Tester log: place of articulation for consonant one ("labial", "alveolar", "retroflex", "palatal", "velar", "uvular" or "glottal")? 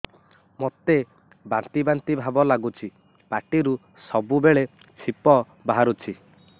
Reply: labial